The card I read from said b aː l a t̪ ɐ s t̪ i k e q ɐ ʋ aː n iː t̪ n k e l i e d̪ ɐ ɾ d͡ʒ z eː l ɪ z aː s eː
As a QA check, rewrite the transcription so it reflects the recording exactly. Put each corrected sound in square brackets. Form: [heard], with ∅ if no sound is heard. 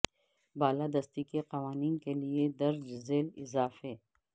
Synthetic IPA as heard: b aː l a [d̪] ɐ s t̪ i k e q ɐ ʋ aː n iː [∅] n k e l i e d̪ ɐ ɾ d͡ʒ z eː l ɪ z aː [f] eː